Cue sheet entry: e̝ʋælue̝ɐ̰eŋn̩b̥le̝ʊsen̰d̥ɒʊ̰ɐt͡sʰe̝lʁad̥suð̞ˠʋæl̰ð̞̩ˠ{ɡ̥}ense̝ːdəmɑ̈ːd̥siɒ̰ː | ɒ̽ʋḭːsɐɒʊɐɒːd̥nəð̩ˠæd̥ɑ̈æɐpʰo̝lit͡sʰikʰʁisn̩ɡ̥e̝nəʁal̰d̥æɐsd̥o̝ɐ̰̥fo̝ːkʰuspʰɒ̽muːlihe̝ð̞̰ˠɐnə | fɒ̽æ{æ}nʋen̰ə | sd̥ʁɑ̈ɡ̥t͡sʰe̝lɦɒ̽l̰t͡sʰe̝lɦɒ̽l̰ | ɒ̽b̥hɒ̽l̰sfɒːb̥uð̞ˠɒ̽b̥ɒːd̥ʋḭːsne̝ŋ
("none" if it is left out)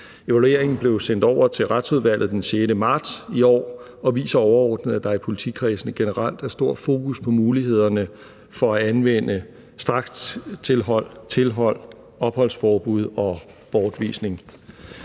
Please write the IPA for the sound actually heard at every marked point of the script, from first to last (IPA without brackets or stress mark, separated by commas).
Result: d̥, æ